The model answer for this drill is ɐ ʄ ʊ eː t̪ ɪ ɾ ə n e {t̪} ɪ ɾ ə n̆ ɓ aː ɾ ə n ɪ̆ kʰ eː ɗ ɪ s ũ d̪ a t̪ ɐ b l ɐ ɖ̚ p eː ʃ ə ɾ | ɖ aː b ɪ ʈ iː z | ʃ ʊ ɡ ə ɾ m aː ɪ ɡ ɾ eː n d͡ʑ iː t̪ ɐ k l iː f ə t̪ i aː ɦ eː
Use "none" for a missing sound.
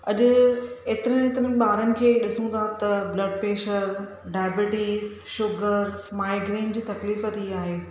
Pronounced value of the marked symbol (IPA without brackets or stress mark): t̪